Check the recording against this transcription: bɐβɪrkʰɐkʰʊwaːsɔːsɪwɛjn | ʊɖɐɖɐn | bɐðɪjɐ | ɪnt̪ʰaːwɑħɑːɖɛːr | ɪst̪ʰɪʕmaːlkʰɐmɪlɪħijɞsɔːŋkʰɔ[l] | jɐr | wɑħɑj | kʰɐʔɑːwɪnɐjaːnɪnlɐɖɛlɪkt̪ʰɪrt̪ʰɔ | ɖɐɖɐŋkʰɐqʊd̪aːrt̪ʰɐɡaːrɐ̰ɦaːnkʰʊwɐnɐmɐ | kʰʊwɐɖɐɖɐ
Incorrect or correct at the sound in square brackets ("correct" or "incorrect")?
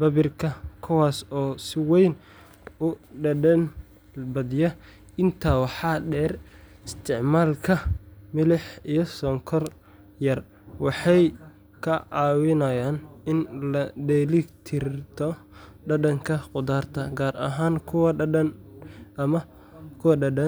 incorrect